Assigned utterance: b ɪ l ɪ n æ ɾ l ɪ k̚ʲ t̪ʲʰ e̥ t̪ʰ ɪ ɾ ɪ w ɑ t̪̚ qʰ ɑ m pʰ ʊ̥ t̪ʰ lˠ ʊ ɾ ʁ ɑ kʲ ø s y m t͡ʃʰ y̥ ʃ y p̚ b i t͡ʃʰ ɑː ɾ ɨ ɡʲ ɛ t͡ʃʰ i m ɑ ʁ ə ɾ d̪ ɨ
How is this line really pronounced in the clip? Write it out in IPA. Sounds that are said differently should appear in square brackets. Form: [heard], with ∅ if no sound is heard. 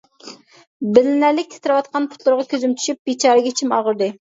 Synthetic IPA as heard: b ɪ l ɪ n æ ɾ l ɪ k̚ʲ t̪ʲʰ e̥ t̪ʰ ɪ ɾ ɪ w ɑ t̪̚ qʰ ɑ [n] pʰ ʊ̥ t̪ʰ lˠ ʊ ɾ ʁ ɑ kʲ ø [z] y m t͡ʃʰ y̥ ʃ y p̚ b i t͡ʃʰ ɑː ɾ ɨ ɡʲ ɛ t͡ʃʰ i m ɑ ʁ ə ɾ d̪ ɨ